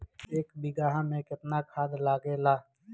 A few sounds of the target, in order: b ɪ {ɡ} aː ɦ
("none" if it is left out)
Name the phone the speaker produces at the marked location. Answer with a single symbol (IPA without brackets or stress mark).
ɡ